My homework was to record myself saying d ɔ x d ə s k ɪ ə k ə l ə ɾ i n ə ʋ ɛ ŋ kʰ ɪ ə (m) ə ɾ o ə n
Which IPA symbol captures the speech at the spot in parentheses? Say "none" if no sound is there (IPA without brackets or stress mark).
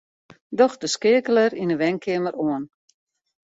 m